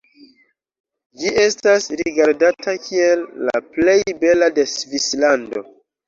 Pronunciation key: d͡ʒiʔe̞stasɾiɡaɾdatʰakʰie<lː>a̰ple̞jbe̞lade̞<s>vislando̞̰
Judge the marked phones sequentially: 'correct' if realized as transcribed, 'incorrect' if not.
correct, correct

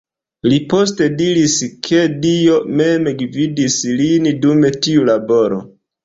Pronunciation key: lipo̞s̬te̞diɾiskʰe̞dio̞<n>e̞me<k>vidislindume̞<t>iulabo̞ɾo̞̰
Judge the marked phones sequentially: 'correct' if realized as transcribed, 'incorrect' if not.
incorrect: m, incorrect: ɡ, correct

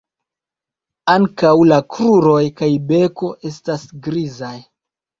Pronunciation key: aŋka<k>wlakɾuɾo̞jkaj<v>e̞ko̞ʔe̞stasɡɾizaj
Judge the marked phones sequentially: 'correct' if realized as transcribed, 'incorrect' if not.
incorrect: none, incorrect: b

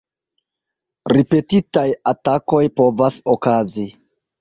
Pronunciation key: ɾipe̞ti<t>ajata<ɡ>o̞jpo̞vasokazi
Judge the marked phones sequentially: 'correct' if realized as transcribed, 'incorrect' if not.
correct, incorrect: k

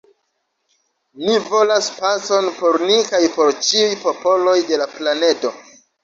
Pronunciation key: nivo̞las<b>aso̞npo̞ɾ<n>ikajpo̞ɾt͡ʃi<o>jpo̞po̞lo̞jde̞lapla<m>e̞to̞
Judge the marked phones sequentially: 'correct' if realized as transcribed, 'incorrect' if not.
incorrect: p, correct, incorrect: u, incorrect: n

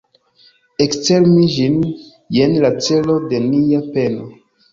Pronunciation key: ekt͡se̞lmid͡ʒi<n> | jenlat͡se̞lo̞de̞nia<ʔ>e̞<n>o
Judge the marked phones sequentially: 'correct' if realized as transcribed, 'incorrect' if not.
correct, incorrect: p, correct

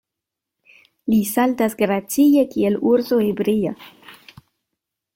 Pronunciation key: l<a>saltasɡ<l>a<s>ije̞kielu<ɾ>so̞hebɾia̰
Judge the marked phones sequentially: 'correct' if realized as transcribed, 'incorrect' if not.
incorrect: i, incorrect: ɾ, incorrect: t͡s, correct

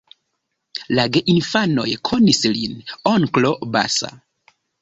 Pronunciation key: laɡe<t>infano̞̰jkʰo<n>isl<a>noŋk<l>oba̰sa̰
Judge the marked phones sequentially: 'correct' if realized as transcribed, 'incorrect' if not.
incorrect: ʔ, correct, incorrect: i, correct

